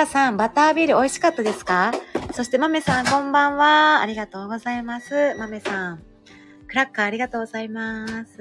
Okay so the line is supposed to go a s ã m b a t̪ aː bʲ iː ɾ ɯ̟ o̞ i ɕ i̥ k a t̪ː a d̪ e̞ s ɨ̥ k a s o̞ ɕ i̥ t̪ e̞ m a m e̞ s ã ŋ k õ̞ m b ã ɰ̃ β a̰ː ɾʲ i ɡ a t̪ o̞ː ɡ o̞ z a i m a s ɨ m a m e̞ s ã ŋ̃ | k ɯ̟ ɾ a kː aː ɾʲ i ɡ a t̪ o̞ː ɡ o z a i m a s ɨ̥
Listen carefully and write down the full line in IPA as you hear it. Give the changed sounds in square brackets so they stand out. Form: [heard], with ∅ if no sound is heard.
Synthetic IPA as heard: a s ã m b a t̪ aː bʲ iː ɾ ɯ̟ o̞ i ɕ i̥ k a t̪ː a d̪ e̞ s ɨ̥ k a s o̞ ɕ i̥ t̪ e̞ m a m e̞ s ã ŋ k õ̞ m b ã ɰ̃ β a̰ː ɾʲ i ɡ a t̪ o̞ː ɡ o̞ z a i m a s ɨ m a m e̞ s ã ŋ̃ | k ɯ̟ ɾ a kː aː ɾʲ i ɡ a t̪ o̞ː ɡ o z a i m a s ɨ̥